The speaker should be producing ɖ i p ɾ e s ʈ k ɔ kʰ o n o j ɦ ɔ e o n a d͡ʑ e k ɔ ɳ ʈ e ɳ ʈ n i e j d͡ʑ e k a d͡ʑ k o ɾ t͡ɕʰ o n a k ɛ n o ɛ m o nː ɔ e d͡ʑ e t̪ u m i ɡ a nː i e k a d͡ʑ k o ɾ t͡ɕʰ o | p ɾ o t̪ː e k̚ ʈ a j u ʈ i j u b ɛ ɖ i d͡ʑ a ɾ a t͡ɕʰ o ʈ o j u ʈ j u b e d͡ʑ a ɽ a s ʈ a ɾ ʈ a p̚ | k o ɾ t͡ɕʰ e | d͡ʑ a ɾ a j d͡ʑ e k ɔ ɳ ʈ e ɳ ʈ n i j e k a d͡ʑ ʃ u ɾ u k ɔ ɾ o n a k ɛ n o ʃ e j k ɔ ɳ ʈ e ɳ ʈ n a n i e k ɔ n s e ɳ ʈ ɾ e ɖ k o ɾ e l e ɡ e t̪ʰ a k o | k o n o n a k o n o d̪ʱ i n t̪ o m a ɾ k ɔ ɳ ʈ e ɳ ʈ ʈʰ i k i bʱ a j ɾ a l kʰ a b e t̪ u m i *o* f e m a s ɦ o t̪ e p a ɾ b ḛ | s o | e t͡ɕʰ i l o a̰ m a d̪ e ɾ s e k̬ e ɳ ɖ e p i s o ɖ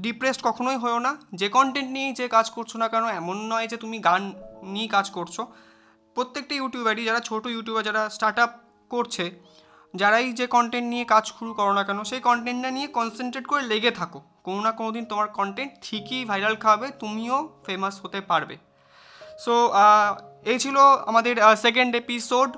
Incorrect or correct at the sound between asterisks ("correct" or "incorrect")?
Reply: correct